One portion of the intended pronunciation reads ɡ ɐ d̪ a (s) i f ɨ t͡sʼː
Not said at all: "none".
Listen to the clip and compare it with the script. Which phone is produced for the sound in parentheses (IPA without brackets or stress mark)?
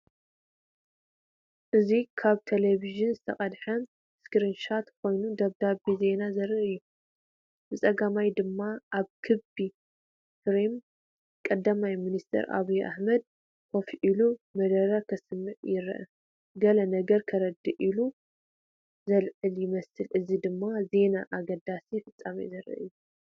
s